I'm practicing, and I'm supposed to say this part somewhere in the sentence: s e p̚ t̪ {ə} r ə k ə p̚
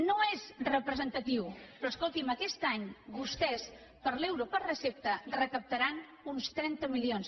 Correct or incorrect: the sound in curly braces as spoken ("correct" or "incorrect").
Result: correct